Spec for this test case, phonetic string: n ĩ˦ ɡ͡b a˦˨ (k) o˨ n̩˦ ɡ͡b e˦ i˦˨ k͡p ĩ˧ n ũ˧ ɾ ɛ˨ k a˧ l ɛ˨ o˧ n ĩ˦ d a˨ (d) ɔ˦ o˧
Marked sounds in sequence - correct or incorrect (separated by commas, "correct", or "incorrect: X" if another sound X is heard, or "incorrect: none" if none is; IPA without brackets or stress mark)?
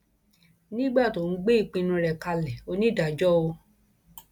incorrect: t, incorrect: d͡ʒ